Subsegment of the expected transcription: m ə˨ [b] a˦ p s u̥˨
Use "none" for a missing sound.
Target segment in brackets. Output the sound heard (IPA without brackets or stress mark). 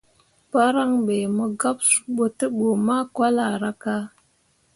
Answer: ɡ